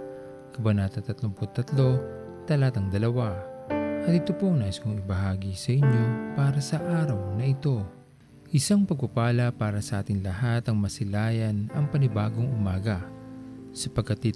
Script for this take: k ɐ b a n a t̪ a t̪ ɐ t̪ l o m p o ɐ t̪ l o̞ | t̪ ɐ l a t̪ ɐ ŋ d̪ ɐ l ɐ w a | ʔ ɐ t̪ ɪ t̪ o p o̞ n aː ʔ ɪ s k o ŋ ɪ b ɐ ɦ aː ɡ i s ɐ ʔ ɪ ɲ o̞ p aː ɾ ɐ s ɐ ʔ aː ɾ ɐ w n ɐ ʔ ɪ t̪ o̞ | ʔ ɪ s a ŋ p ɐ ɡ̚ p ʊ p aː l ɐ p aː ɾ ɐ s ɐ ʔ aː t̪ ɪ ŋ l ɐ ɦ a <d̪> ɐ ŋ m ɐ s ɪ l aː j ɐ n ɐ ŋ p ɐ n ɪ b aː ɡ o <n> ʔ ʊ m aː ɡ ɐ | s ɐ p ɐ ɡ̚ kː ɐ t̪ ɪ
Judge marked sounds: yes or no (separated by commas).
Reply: no, no